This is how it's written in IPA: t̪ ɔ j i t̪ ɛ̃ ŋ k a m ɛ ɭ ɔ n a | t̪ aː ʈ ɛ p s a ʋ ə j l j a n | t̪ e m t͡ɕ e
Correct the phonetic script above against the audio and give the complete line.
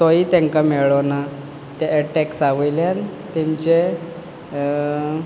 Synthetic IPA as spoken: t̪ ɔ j i t̪ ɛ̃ ŋ k a m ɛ ɭ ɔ n a | t̪ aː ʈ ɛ k s a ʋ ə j l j a n | t̪ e m t͡ɕ e